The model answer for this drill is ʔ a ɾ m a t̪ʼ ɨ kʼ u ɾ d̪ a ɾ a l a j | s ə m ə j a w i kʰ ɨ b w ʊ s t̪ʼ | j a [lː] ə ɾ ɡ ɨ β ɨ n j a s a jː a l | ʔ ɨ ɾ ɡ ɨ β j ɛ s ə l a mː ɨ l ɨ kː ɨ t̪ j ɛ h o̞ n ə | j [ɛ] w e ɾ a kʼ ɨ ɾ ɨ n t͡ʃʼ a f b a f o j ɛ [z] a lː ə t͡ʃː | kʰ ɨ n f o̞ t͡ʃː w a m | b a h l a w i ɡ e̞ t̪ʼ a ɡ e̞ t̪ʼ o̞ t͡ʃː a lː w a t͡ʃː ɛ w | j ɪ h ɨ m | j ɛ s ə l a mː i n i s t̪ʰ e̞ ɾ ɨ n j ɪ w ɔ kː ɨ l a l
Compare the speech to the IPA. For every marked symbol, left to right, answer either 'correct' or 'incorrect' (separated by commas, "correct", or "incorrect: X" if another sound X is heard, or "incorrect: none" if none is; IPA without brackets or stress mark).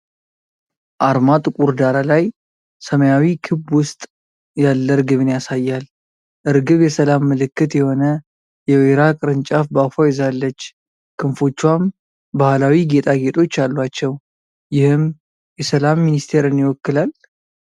correct, correct, correct